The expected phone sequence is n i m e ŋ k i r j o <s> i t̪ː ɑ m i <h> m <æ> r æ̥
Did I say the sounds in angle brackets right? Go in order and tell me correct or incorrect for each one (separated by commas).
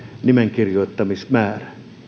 incorrect, incorrect, incorrect